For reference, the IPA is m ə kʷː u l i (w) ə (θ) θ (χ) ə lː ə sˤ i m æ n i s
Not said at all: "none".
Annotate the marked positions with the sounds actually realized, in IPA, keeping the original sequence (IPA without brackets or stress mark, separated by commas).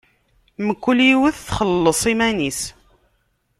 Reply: w, θ, χ